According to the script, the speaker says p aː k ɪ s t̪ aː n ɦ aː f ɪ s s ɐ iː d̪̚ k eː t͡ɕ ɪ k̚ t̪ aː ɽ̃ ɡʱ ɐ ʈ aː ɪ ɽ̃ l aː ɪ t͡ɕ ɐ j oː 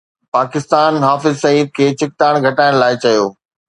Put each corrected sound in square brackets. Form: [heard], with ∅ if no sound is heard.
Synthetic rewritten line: p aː k ɪ s t̪ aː n ɦ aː f ɪ [z] s ɐ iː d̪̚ [kʰ] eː t͡ɕ ɪ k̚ t̪ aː ɽ̃ ɡʱ ɐ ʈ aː ɪ ɽ̃ l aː ɪ t͡ɕ ɐ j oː